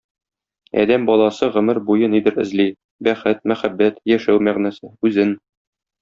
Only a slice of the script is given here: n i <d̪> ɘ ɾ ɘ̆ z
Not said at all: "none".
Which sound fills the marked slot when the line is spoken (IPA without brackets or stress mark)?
d̪